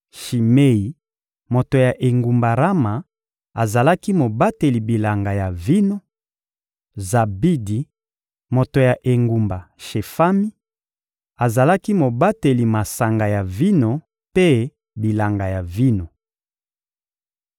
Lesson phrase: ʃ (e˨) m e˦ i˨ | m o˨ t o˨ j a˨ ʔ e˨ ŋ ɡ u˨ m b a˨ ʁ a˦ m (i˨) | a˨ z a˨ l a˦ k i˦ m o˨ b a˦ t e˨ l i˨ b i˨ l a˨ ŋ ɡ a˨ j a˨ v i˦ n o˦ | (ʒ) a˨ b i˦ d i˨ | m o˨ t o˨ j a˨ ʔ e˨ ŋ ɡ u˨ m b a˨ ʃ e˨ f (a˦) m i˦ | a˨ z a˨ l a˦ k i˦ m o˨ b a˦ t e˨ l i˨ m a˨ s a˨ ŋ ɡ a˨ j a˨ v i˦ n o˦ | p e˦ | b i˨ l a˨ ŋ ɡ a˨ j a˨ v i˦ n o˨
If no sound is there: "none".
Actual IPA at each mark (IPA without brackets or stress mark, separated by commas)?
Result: i˨, a˨, z, a˦